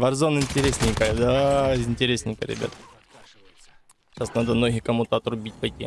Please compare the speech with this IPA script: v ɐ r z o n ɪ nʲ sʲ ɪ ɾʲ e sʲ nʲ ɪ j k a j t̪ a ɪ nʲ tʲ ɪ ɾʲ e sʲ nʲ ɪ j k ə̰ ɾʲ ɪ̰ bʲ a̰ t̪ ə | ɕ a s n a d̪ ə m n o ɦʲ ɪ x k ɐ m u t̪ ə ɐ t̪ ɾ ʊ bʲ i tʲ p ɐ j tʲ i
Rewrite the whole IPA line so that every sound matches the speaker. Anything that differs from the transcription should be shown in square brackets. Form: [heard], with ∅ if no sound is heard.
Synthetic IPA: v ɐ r z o n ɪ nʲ [tʲ] ɪ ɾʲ e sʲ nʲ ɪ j k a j [d̪] a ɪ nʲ tʲ ɪ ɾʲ e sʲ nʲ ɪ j k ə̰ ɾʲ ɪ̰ bʲ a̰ t̪ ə | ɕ a s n a d̪ ə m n o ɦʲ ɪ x k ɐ m u t̪ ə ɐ t̪ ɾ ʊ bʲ i tʲ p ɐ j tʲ i